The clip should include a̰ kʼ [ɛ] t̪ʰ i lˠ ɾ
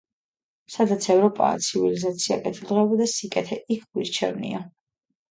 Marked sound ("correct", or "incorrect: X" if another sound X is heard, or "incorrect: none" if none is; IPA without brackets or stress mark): correct